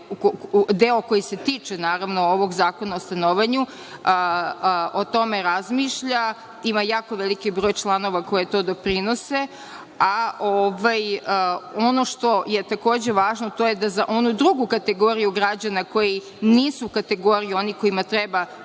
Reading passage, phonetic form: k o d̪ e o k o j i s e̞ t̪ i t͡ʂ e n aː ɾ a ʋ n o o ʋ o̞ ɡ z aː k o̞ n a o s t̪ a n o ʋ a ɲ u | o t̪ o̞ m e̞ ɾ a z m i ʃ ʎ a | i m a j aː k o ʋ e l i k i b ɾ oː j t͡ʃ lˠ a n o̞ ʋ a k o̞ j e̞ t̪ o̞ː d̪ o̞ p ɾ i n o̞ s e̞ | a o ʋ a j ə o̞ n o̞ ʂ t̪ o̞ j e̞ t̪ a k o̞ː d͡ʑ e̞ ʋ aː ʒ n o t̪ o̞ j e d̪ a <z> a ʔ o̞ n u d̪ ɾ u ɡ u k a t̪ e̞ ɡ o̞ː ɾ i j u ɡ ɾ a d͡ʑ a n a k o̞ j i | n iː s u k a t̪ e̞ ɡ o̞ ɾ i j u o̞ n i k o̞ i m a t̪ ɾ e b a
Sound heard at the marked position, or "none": z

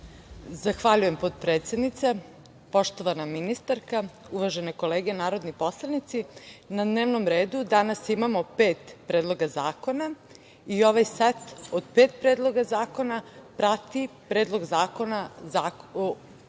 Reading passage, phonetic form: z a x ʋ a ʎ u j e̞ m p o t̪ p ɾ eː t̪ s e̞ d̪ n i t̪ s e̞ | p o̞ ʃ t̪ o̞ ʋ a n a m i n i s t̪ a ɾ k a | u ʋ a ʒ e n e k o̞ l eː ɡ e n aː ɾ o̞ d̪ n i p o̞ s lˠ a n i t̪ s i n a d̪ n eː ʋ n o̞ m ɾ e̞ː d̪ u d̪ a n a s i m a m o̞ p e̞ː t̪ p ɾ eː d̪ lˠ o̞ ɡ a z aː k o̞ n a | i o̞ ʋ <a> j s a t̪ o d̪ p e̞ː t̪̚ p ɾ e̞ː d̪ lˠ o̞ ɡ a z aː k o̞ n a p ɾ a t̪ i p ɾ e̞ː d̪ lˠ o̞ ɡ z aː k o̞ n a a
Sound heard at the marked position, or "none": a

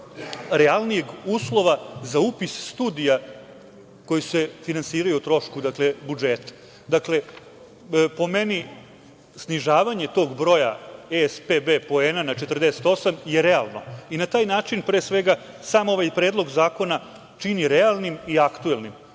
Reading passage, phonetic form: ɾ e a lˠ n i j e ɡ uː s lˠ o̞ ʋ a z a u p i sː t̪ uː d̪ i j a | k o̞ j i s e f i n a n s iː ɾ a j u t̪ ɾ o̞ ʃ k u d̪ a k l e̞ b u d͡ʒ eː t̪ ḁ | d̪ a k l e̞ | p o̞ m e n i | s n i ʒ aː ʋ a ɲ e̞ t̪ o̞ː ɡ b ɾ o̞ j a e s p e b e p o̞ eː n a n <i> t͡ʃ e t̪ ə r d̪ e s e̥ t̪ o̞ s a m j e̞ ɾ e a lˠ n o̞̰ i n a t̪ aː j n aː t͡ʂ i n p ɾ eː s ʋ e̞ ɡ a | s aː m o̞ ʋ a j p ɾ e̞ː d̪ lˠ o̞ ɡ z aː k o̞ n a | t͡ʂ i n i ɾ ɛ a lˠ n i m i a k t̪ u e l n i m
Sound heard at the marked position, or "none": a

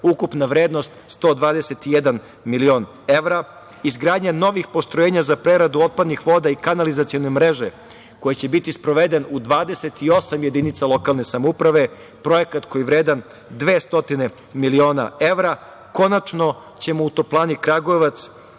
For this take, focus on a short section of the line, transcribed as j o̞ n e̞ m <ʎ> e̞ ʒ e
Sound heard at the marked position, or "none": ɾ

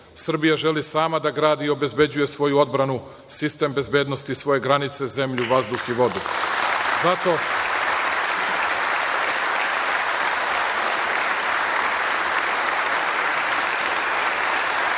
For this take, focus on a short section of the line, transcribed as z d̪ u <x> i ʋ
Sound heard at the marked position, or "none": x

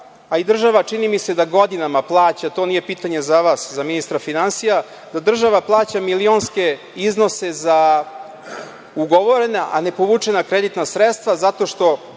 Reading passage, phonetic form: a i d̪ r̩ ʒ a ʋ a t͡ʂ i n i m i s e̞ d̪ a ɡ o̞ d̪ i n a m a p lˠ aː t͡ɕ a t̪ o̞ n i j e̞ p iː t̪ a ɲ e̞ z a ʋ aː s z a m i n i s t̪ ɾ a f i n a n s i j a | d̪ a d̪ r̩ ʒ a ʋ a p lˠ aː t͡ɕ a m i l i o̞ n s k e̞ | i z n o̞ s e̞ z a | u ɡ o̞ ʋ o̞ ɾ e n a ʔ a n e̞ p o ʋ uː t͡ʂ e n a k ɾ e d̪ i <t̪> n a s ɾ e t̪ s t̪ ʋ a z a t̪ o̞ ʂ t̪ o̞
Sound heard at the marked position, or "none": t̪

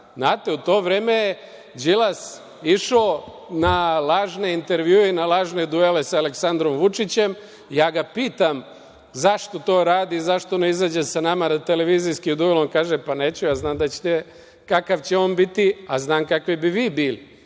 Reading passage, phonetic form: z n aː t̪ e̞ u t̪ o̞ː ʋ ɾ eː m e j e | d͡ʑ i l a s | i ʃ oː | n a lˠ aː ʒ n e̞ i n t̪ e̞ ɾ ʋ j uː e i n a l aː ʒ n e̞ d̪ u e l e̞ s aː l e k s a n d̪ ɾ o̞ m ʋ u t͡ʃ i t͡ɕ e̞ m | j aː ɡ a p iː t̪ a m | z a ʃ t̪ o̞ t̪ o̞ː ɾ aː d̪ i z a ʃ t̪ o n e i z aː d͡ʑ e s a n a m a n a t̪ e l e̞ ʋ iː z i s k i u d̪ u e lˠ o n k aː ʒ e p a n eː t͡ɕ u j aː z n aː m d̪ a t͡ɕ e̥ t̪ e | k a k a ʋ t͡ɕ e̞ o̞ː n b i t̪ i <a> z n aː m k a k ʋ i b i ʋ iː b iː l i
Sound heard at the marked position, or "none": a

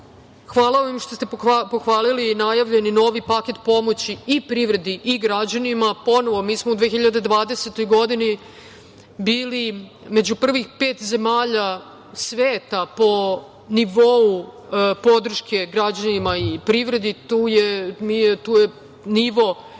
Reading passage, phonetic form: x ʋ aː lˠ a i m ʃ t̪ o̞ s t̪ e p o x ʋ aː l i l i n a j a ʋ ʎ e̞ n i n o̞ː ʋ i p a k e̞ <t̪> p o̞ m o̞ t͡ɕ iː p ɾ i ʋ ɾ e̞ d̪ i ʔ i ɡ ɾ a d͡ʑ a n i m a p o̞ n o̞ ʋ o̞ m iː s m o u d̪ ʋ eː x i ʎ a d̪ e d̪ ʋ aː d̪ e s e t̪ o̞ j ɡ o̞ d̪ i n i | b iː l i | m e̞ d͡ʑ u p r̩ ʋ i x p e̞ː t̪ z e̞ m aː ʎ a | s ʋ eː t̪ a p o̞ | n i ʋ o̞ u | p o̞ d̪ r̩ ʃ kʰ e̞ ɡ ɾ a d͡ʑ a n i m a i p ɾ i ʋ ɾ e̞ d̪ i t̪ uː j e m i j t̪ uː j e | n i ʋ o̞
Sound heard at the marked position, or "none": t̪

